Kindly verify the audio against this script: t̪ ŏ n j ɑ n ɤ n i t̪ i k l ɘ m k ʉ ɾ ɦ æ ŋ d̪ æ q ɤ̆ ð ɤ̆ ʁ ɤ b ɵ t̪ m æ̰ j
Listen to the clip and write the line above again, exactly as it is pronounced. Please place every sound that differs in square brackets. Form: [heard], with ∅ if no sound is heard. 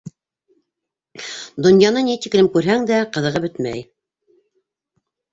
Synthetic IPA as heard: [d̪] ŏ n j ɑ n ɤ n i t̪ i k l ɘ m k ʉ ɾ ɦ æ ŋ d̪ æ q ɤ̆ ð ɤ̆ ʁ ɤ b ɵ t̪ m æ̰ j

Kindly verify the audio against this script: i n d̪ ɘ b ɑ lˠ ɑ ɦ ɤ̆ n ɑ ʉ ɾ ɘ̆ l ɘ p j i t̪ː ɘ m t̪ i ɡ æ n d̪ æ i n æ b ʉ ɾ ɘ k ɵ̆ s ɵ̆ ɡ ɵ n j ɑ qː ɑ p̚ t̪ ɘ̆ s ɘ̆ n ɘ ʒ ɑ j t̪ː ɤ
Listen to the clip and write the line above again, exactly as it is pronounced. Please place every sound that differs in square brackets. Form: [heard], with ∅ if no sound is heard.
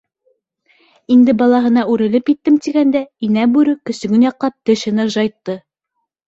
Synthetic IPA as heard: i n d̪ ɘ b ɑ lˠ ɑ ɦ ɤ̆ n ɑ ʉ ɾ ɘ̆ l ɘ p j i t̪ː ɘ m t̪ i ɡ æ n d̪ æ i n æ b ʉ ɾ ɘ k ɵ̆ s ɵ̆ ɡ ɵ n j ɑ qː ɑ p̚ t̪ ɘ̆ [ʃ] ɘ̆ n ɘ ʒ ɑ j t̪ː ɤ

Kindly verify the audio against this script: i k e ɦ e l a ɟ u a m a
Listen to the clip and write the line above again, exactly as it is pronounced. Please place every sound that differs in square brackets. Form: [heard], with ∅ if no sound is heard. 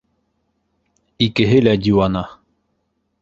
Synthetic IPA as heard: i k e ɦ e l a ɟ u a [n] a

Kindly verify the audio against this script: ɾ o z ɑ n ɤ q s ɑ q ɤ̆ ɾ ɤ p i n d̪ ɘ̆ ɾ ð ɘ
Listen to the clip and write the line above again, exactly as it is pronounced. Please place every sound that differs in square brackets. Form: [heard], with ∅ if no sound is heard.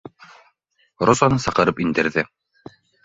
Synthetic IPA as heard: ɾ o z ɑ n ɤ [∅] s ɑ q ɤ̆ ɾ ɤ p i n d̪ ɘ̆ ɾ ð ɘ

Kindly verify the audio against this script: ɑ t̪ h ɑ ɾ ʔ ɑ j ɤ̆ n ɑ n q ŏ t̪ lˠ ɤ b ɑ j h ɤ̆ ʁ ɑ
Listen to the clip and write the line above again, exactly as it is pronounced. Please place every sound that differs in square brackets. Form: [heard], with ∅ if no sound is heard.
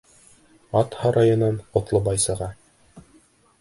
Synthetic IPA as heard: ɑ t̪ h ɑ ɾ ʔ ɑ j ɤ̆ n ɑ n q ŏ t̪ lˠ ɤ b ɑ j [s] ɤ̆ ʁ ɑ

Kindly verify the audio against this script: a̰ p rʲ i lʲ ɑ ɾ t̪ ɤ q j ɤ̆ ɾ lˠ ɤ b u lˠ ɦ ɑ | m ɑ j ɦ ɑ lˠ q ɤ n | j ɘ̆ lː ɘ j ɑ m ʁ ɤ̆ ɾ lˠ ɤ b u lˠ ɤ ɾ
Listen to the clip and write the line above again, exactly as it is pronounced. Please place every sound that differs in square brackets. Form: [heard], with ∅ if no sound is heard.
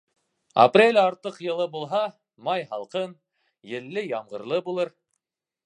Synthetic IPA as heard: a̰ p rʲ [e] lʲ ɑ ɾ t̪ ɤ q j ɤ̆ [∅] lˠ ɤ b u lˠ ɦ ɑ | m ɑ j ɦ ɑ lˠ q ɤ n | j ɘ̆ lː ɘ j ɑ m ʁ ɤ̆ ɾ lˠ ɤ b u lˠ ɤ ɾ

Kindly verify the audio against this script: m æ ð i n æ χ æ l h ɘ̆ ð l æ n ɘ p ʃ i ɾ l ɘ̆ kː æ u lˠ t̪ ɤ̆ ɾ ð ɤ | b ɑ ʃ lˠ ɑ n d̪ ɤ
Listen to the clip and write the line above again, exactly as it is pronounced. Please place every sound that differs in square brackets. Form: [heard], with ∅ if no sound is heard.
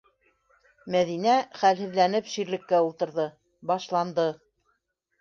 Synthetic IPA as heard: m æ ð i n æ χ æ l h ɘ̆ ð l æ n ɘ p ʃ i ɾ l ɘ̆ kː æ u lˠ t̪ ɤ̆ ɾ ð ɤ | b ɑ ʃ lˠ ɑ n d̪ ɤ

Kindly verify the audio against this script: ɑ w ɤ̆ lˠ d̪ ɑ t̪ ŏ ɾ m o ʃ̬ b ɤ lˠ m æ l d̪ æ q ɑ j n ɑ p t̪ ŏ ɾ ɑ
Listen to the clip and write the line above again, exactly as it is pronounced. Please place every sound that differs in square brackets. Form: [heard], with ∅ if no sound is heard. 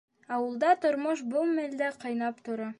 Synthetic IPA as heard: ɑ w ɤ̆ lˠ d̪ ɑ t̪ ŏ ɾ m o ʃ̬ b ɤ lˠ m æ l d̪ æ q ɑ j n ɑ p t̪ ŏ ɾ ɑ

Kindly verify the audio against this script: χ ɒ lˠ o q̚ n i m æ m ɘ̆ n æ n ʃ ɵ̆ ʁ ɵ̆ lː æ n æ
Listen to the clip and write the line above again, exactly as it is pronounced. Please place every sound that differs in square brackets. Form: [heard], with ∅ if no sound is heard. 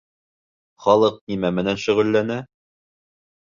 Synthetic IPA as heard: χ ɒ lˠ [ɤ] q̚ n i m æ m ɘ̆ n æ n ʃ ɵ̆ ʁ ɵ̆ lː æ n æ

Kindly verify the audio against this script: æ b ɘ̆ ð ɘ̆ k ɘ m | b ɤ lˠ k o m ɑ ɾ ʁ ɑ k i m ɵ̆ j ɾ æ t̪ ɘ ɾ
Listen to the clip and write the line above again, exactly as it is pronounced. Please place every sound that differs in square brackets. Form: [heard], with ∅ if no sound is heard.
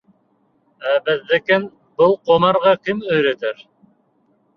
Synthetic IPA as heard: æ b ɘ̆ [ðː] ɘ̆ k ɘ [n] | b ɤ lˠ [q] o m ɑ ɾ ʁ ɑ k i m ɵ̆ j ɾ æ t̪ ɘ ɾ

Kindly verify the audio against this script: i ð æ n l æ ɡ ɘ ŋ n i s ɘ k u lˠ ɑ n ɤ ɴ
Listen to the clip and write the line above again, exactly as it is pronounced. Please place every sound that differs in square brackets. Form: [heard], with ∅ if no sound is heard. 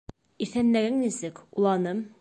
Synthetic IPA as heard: i [θ] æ n l æ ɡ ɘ ŋ n i s ɘ k u lˠ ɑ n ɤ [m]

